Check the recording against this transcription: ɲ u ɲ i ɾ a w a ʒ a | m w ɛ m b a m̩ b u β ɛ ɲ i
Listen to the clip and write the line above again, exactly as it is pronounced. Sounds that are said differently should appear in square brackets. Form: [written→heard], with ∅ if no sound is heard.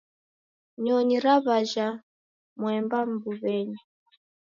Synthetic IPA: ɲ [u→ɔ] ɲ i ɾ a [w→β] a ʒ a | m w ɛ m b a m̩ b u β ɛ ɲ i